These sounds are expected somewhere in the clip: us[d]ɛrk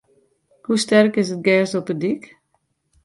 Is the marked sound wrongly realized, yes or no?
yes